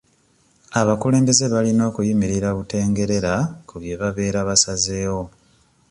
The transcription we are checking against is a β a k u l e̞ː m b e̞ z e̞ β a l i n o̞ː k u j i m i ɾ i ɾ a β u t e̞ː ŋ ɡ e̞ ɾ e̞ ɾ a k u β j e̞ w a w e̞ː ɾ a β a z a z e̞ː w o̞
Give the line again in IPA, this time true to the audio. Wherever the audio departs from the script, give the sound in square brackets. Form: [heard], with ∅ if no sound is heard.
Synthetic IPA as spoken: a β a k u l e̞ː m b e̞ z e̞ β a l i n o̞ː k u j i m i ɾ i ɾ a β u t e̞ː ŋ ɡ e̞ ɾ e̞ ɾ a k u β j e̞ [β] a [β] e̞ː ɾ a β a [s] a z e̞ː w o̞